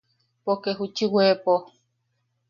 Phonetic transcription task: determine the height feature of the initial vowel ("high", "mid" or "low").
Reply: mid